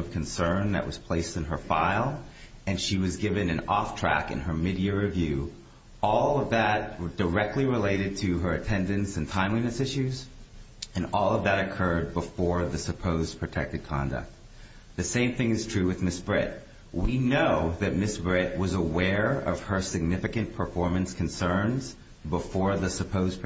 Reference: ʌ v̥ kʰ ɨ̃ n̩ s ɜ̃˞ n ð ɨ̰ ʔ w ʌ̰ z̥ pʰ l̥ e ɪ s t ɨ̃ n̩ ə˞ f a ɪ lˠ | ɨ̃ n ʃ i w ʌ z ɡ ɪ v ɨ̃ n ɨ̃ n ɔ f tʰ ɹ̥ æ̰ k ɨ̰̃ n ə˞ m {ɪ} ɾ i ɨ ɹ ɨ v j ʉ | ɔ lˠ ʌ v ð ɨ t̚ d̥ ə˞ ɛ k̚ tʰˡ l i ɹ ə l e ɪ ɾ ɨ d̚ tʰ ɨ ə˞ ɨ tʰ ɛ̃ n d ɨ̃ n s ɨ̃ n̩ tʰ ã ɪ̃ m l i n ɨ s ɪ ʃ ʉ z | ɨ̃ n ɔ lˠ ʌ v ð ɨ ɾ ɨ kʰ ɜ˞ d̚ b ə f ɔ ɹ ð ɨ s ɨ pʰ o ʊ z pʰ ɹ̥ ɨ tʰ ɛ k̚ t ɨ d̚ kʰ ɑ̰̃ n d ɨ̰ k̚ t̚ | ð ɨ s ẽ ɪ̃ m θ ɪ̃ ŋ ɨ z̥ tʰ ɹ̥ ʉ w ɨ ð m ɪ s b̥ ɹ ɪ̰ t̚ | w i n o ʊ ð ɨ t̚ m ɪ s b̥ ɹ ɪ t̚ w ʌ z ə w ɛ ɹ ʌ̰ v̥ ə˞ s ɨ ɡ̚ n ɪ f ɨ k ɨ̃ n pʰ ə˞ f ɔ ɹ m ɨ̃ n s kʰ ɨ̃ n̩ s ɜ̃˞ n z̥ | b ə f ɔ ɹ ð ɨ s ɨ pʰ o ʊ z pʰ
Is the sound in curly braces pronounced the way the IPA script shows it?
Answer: yes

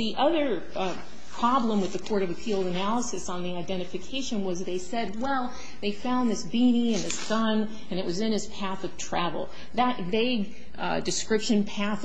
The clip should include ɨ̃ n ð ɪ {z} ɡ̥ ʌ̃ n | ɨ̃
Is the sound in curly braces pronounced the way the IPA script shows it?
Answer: no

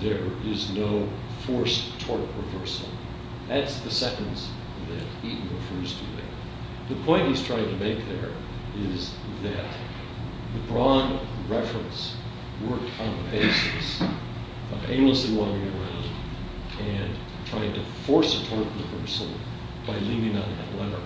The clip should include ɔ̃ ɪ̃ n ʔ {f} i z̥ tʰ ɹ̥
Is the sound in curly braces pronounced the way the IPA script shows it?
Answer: no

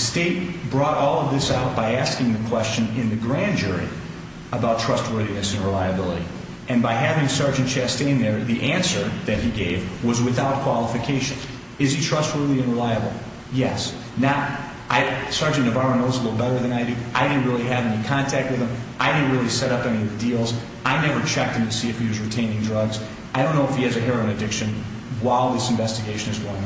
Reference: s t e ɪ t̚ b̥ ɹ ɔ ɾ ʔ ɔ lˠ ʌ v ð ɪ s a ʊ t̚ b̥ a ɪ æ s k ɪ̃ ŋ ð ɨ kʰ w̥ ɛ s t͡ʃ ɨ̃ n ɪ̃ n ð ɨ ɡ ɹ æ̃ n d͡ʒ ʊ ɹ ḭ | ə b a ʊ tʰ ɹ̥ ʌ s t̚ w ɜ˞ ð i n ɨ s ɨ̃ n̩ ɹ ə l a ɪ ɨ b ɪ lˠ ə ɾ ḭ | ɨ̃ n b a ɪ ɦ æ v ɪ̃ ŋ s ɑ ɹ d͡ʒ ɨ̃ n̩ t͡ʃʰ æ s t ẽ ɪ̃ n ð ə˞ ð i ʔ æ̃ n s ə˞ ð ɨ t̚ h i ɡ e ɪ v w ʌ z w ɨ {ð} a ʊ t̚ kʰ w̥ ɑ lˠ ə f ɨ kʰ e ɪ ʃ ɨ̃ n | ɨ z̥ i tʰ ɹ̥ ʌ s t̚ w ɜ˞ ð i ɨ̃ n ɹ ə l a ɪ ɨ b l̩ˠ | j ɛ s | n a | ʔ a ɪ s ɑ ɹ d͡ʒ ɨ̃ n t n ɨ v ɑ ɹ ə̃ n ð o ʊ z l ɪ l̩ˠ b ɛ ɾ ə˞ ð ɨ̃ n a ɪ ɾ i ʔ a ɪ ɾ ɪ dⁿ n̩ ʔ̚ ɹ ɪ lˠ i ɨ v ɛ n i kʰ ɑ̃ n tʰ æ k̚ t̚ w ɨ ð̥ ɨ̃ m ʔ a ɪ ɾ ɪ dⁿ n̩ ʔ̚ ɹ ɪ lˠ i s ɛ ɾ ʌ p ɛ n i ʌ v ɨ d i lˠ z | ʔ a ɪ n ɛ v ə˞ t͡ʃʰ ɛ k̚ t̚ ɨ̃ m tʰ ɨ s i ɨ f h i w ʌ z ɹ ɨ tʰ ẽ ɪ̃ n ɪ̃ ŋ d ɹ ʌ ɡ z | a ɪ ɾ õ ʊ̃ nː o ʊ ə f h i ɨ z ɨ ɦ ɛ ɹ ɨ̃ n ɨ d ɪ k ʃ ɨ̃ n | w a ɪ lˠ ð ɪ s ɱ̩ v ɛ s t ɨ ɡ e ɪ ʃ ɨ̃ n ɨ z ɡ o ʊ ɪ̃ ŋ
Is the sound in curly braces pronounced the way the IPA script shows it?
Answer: no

